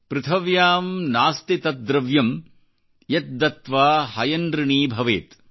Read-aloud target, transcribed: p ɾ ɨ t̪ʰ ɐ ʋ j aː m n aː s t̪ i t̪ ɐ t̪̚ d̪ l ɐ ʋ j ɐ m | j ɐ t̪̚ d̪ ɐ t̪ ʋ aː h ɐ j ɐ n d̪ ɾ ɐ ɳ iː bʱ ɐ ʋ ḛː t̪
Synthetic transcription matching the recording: p ɾ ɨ t̪ʰ ɐ ʋ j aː m n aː s t̪ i t̪ ɐ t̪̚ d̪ ɾ ɐ ʋ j ɐ m | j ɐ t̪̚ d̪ ɐ t̪ ʋ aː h ɐ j ɐ n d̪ ɾ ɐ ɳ iː bʱ ɐ ʋ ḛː t̪